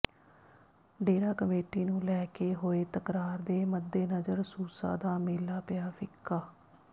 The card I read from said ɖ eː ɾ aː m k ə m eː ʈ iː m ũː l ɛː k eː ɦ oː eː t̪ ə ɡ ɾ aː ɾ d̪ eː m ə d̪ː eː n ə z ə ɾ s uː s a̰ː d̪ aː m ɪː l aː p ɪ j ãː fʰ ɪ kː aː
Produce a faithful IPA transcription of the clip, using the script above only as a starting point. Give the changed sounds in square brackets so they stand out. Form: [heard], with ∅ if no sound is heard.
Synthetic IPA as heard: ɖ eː ɾ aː [∅] k ə m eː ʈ iː [n] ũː l ɛː k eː ɦ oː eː t̪ ə [k] ɾ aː ɾ d̪ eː m ə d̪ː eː n ə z ə ɾ s uː s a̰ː d̪ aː m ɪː l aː p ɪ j [aː] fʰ ɪ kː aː